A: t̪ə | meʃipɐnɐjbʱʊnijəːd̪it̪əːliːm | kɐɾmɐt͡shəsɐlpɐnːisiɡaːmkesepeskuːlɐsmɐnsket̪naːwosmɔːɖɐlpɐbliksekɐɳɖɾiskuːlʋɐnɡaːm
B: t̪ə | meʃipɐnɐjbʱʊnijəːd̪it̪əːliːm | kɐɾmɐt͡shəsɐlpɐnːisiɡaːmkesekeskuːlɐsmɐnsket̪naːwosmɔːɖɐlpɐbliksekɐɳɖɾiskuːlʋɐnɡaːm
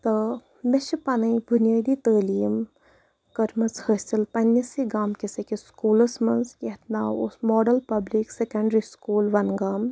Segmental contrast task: B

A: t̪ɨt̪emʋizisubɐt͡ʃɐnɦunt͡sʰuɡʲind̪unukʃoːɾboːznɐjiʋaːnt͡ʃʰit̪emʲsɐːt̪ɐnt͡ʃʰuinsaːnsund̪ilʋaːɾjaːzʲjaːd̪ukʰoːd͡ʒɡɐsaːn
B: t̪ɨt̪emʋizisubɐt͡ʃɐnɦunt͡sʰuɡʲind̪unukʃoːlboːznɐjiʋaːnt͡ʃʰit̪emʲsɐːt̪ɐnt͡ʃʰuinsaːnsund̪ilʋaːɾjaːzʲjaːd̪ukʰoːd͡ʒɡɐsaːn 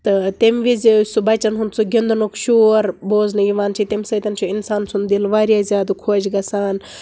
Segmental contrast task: A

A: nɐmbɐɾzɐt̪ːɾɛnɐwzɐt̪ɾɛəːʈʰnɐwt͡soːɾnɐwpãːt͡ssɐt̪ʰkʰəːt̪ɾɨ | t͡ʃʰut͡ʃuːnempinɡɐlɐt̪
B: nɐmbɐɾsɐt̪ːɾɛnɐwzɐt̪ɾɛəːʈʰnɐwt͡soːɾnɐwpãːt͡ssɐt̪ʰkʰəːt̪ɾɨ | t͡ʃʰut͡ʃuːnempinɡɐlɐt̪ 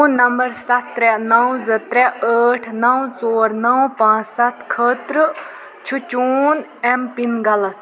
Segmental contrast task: B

